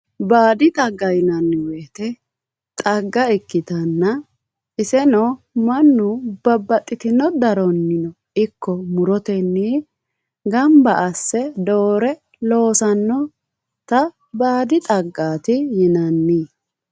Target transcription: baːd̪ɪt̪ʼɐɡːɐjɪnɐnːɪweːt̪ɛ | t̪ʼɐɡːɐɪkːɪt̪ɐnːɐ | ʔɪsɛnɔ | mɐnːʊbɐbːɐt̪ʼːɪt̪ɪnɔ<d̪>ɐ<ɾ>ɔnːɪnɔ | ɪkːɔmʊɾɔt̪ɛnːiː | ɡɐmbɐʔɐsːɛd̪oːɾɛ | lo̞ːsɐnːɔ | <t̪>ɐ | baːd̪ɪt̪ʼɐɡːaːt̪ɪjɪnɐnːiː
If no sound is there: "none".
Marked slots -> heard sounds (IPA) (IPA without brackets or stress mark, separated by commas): d̪, ɾ, t̪